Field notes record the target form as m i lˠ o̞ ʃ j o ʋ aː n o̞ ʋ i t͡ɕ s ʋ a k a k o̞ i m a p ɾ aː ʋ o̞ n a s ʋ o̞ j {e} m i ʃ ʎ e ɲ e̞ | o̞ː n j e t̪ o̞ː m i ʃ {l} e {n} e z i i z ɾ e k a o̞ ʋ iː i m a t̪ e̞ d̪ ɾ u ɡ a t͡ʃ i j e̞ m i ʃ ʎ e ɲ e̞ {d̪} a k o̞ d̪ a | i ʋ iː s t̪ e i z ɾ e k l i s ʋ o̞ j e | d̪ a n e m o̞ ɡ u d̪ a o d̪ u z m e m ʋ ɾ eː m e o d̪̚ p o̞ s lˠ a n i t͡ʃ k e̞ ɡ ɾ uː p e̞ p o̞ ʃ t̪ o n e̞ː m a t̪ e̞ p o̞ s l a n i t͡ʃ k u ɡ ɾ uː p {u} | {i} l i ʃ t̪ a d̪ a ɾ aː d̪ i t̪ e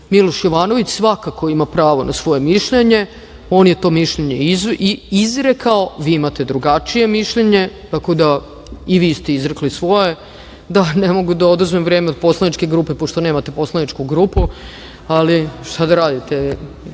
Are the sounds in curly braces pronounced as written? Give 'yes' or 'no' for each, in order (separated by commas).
yes, no, no, no, yes, no